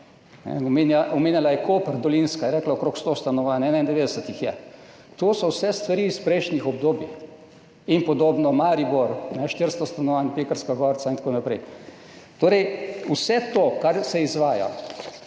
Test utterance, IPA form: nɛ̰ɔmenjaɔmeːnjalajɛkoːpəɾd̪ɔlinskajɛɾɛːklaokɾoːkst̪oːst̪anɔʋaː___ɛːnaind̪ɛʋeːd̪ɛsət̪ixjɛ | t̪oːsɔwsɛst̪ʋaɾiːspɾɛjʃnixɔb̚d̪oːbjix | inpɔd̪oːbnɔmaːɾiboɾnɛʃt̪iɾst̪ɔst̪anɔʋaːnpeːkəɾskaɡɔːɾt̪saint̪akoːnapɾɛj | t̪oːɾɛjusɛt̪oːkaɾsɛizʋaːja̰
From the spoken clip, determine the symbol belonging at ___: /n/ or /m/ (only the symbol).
n